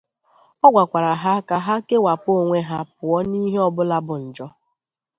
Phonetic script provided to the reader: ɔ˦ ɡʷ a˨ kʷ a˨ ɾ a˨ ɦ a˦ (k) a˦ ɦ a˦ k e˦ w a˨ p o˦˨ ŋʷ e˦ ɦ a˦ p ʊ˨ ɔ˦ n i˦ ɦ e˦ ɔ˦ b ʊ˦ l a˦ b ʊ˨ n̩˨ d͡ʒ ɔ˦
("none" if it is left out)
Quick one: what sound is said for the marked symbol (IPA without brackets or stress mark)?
k